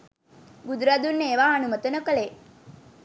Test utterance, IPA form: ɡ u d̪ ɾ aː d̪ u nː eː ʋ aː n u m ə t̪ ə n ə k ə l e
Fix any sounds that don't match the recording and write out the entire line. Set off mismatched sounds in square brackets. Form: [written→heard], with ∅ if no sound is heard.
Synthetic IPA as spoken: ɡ u d̪ ɾ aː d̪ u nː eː ʋ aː n u m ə t̪ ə n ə k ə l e